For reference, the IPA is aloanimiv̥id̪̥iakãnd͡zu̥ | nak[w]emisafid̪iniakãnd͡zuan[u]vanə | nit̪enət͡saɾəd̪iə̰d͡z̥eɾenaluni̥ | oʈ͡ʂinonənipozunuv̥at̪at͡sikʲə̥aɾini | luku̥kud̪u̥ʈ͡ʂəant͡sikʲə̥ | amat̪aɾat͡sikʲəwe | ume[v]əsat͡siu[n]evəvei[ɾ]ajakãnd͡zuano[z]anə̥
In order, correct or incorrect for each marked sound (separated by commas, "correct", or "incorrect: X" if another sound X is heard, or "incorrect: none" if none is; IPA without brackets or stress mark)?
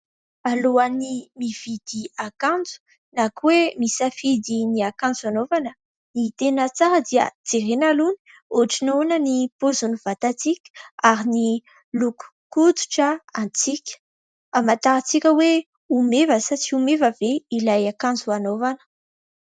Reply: correct, incorrect: o, correct, incorrect: m, incorrect: l, incorrect: v